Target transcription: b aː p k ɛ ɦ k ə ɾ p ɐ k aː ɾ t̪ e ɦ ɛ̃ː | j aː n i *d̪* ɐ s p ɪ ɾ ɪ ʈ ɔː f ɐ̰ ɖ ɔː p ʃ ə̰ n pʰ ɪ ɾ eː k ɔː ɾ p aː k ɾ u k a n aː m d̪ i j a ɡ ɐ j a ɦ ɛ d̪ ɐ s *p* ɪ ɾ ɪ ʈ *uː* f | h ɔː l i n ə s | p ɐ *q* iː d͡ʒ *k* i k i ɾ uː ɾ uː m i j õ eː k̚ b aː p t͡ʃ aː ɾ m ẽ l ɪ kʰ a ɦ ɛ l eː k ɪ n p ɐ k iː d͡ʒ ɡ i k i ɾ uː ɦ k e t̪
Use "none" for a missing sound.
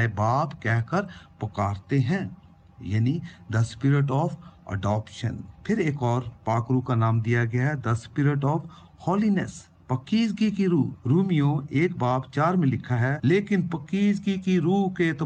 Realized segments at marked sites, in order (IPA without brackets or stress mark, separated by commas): d̪, p, ɔː, k, ɡ